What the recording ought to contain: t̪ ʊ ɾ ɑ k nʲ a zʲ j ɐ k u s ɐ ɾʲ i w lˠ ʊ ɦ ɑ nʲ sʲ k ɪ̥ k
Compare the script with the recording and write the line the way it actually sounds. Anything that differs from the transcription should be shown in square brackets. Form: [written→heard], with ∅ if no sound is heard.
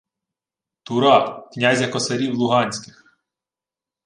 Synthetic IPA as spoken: t̪ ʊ ɾ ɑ k nʲ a zʲ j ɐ k [u→ɔ] s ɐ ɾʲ i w lˠ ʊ ɦ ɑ nʲ sʲ k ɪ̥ [k→x]